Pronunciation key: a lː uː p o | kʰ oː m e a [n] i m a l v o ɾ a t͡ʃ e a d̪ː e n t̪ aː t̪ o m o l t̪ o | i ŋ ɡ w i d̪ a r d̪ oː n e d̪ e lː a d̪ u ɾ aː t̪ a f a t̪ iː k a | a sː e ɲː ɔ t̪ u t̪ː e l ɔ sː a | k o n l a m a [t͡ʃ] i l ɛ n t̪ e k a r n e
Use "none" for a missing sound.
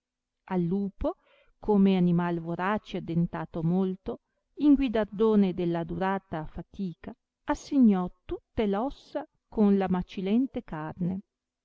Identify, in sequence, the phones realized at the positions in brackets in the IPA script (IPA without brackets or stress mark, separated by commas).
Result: n, t͡ʃ